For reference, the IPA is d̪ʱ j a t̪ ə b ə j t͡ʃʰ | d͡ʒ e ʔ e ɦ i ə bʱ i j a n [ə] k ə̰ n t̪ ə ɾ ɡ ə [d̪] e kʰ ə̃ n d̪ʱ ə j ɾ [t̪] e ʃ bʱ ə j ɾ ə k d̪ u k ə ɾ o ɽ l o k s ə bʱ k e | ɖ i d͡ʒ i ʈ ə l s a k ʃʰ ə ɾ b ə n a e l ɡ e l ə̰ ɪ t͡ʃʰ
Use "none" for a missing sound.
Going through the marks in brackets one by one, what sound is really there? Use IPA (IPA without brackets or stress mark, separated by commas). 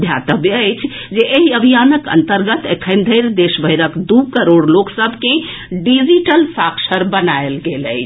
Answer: ə, t̪, d̪